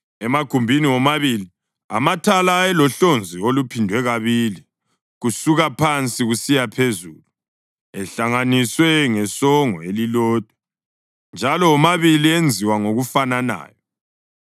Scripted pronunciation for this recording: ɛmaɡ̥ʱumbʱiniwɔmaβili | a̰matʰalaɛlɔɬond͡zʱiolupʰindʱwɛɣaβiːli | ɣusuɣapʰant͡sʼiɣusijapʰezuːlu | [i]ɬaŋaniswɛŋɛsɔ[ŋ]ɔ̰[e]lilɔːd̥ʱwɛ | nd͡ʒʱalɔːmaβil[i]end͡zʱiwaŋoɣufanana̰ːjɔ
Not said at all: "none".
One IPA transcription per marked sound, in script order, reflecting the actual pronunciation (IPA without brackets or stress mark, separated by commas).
ɛ, ŋ, e, i